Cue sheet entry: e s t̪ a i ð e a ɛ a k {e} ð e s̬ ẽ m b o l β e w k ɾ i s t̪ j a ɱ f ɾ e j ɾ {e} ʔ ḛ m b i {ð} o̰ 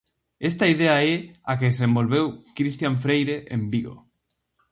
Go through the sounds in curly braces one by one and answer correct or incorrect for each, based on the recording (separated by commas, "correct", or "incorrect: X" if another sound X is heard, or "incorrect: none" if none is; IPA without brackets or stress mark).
correct, correct, incorrect: ɣ